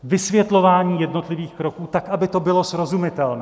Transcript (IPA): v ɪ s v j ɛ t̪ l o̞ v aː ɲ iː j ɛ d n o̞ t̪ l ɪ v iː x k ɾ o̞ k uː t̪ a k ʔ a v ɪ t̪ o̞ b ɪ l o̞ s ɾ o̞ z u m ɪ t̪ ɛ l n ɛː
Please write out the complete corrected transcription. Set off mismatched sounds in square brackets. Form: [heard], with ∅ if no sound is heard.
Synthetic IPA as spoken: v ɪ s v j ɛ t̪ l o̞ v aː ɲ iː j ɛ d n o̞ t̪ l ɪ v iː x k ɾ o̞ k uː t̪ a k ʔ a [b] ɪ t̪ o̞ b ɪ l o̞ s ɾ o̞ z u m ɪ t̪ ɛ l n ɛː